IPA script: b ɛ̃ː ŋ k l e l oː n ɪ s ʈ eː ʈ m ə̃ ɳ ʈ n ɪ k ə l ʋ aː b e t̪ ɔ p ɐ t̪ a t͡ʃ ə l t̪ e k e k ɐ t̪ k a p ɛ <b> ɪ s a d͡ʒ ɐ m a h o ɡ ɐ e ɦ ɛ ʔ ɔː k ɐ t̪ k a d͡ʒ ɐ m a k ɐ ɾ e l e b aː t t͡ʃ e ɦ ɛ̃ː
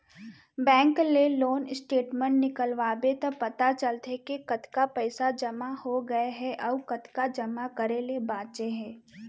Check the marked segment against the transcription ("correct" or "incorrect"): incorrect